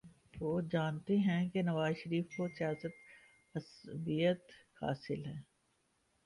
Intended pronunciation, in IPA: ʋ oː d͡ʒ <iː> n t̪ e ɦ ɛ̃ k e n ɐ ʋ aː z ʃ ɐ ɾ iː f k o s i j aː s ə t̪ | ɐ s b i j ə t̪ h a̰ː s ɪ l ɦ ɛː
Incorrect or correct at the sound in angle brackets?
incorrect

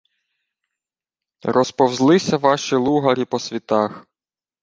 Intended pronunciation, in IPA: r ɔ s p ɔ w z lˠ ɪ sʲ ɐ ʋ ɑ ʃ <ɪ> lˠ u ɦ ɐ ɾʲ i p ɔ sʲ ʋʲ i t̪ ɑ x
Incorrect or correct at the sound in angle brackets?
incorrect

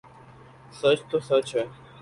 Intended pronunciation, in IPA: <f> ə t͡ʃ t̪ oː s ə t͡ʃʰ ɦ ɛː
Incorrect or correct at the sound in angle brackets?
incorrect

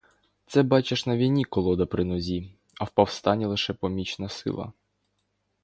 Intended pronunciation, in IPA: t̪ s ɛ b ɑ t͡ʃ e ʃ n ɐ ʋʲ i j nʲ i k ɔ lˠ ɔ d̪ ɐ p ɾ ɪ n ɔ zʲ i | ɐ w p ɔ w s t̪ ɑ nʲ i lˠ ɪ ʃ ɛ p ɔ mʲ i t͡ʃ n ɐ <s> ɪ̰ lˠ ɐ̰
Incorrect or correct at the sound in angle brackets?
correct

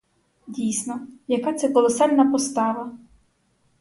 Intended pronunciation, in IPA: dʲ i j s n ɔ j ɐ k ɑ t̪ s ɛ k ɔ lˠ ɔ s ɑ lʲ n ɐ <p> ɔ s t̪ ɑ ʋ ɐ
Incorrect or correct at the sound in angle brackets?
correct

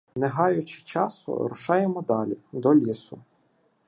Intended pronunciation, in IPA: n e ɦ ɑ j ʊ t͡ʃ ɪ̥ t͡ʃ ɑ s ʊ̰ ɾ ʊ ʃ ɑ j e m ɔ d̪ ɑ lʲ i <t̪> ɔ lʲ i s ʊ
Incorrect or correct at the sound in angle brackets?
incorrect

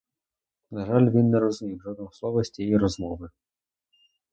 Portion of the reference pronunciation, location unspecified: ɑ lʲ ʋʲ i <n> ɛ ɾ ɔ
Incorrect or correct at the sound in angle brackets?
incorrect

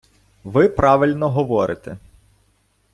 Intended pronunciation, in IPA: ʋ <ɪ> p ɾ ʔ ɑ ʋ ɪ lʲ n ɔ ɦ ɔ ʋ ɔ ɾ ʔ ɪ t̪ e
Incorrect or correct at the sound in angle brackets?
correct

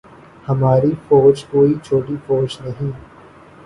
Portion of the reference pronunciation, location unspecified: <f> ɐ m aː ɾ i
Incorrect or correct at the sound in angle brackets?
incorrect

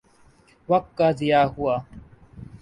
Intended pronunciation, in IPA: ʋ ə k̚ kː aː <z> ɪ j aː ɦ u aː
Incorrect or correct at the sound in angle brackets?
correct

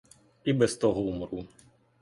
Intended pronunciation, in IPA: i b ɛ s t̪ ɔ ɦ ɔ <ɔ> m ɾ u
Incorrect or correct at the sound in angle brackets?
incorrect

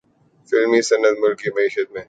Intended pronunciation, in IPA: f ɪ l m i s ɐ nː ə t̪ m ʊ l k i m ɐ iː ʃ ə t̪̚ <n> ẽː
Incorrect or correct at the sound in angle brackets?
incorrect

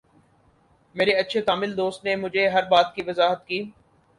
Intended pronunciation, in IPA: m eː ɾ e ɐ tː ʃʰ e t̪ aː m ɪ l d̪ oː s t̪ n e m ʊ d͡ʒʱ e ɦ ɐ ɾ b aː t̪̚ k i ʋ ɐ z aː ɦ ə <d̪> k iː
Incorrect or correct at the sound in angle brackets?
incorrect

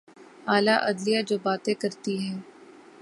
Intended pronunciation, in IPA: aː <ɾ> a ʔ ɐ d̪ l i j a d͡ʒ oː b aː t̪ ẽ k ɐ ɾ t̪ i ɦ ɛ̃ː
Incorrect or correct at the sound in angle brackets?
incorrect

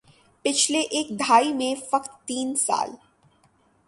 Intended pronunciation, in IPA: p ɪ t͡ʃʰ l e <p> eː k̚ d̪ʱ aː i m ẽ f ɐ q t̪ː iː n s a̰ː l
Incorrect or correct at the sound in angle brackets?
incorrect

